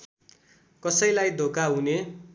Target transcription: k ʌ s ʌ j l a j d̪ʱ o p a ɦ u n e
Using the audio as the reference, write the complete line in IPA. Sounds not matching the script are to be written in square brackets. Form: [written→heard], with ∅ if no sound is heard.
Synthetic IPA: k ʌ s ʌ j l a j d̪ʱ o [p→k] a ɦ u n e